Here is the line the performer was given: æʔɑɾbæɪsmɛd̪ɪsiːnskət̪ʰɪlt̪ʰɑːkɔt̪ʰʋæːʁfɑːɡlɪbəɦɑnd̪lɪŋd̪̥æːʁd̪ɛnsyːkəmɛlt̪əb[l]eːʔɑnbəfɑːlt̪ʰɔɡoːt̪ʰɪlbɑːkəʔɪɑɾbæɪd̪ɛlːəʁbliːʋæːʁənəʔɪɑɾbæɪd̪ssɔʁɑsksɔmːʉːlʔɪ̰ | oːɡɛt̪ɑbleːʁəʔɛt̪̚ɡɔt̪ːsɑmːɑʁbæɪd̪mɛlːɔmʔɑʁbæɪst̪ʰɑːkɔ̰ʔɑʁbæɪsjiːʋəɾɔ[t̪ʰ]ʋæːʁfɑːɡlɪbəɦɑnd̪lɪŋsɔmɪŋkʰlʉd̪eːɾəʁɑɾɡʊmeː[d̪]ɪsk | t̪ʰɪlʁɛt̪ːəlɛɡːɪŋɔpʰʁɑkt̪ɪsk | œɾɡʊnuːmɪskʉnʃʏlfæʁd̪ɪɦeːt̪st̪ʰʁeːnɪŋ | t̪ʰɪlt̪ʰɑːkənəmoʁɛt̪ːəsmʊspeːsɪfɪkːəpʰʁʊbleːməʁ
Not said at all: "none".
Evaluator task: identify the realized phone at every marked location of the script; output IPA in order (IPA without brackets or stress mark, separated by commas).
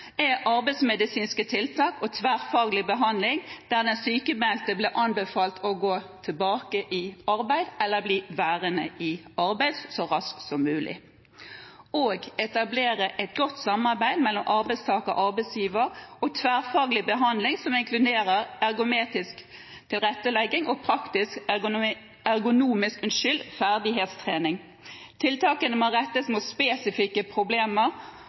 l, t̪ʰ, t̪